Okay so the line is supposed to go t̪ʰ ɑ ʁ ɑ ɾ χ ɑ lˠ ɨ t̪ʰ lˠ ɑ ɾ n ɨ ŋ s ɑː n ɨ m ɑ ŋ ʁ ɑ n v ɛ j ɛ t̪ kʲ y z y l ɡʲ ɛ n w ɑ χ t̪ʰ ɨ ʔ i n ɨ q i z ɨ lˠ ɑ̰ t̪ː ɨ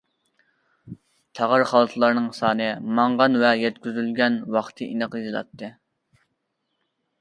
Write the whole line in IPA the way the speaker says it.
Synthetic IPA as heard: t̪ʰ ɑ ʁ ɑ ɾ χ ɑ lˠ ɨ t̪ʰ lˠ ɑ ɾ n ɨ ŋ s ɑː n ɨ m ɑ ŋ ʁ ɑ n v ɛ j ɛ t̪ kʲ y z y l ɡʲ ɛ n w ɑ χ t̪ʰ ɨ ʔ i n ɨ q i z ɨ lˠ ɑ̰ t̪ː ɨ